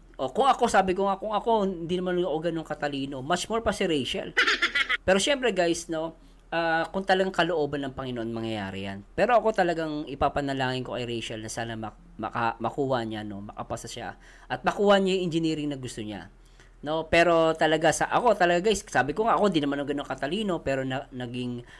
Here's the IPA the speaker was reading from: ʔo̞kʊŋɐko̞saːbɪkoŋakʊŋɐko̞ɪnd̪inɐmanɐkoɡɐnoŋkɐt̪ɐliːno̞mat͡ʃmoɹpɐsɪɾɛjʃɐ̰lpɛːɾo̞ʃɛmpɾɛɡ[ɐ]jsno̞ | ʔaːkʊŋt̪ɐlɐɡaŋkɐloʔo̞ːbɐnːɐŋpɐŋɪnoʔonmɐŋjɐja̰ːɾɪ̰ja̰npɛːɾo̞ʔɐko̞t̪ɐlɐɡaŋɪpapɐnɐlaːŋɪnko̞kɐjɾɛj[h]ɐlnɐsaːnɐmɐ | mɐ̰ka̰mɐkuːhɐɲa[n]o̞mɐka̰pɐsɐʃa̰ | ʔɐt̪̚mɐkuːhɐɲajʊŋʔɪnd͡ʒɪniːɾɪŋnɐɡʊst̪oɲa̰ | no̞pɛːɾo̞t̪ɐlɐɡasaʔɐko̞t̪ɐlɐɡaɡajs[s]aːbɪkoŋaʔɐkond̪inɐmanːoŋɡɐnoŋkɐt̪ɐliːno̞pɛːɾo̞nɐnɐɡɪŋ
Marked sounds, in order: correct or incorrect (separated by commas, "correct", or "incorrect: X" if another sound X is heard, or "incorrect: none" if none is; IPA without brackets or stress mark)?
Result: incorrect: a, incorrect: ʃ, correct, correct